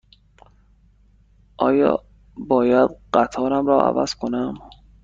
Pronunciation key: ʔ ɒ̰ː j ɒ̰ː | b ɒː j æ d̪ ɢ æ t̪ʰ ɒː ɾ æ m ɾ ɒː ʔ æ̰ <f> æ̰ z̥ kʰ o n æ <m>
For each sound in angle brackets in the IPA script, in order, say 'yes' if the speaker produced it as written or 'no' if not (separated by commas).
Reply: no, yes